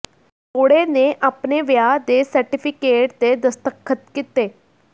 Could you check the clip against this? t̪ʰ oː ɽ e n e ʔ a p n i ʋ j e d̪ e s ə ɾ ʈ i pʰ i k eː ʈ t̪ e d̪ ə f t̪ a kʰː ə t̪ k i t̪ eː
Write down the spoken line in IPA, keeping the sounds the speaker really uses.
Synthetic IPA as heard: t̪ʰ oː ɽ e n e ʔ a p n e ʋ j a d̪ e s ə ɾ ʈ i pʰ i k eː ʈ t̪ e d̪ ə s t̪ ə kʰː ə t̪ k i t̪ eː